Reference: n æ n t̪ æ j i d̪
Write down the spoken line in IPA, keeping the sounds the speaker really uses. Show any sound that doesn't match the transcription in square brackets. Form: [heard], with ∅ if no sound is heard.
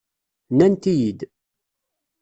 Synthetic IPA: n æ n t̪ [i] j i d̪